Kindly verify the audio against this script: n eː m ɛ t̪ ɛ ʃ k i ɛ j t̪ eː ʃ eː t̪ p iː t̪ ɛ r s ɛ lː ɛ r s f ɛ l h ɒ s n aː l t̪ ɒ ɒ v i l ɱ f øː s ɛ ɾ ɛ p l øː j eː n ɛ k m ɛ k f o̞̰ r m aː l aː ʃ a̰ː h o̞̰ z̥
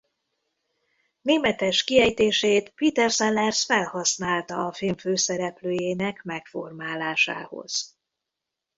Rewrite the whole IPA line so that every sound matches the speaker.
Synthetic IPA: n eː m ɛ t̪ ɛ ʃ k i ɛ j t̪ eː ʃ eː t̪ p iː t̪ ɛ r s ɛ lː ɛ r s f ɛ l h ɒ s n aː l t̪ ɒ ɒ f i l ɱ f øː s ɛ ɾ ɛ p l øː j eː n ɛ k m ɛ k f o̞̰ r m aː l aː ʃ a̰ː h o̞̰ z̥

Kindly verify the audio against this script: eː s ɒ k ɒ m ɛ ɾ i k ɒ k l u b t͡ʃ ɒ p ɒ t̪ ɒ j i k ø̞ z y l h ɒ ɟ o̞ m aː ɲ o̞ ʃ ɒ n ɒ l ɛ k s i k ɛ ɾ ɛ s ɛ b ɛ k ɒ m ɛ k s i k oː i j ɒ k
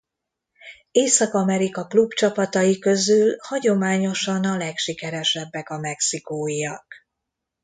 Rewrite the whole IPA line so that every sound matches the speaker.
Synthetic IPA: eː s ɒ k ɒ m ɛ ɾ i k ɒ k l u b t͡ʃ ɒ p ɒ t̪ ɒ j i k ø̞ z y l h ɒ ɟ o̞ m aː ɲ o̞ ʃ ɒ n ɒ l ɛ k ʃ i k ɛ ɾ ɛ ʃ ɛ bː ɛ k ɒ m ɛ k s i k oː i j ɒ k

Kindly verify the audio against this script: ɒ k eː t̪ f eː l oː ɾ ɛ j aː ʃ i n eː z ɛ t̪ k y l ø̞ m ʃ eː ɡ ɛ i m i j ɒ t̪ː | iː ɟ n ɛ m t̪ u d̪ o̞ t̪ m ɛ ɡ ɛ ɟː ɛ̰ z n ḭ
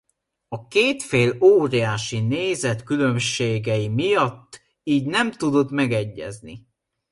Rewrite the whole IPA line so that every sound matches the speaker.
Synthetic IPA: ɒ k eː t̪ f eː l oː ɾ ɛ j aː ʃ i n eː z ɛ t̪ k y l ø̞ m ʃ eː ɡ ɛ i m i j ɒ t̪ː | iː ɟ n ɛ m t̪ u d̪ o̞ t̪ m ɛ ɡ ɛ ɟː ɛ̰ z n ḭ

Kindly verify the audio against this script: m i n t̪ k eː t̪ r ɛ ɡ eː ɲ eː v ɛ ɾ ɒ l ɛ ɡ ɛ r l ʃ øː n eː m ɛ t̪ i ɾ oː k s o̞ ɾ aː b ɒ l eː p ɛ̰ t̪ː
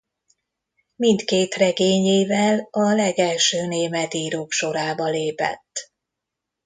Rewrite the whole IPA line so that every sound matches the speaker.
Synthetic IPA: m i n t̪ k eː t̪ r ɛ ɡ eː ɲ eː v ɛ l ɒ l ɛ ɡ ɛ l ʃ øː n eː m ɛ t̪ iː ɾ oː k ʃ o̞ ɾ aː b ɒ l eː p ɛ̰ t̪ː

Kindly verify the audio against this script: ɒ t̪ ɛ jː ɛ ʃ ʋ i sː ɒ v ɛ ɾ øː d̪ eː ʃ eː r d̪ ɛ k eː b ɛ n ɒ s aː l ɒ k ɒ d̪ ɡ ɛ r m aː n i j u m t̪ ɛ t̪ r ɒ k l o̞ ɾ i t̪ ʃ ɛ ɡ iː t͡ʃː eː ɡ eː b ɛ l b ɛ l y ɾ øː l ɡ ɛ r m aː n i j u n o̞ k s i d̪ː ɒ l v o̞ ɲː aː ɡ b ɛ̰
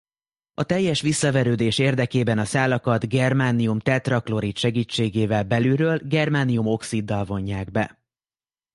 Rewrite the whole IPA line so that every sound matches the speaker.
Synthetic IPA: ɒ t̪ ɛ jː ɛ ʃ ʋ i sː ɒ v ɛ ɾ øː d̪ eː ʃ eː r d̪ ɛ k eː b ɛ n ɒ s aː l ɒ k ɒ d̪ ɡ ɛ r m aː n i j u m t̪ ɛ t̪ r ɒ k l o̞ ɾ i t̪ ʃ ɛ ɡ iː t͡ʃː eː ɡ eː v ɛ l b ɛ l y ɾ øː l ɡ ɛ r m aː n i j u m o̞ k s i d̪ː ɒ l v o̞ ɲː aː ɡ b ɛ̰

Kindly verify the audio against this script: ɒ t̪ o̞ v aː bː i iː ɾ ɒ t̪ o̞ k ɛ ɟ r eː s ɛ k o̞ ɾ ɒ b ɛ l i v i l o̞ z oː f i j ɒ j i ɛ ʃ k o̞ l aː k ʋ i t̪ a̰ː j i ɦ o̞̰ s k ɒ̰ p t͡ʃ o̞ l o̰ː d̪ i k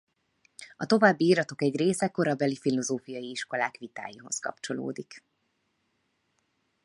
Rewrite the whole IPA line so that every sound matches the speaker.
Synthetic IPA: ɒ t̪ o̞ v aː bː i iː ɾ ɒ t̪ o̞ k ɛ ɟ r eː s ɛ k o̞ ɾ ɒ b ɛ l i f i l o̞ z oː f i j ɒ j i i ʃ k o̞ l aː k ʋ i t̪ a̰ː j i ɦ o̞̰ s k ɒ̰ p t͡ʃ o̞ l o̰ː d̪ i k

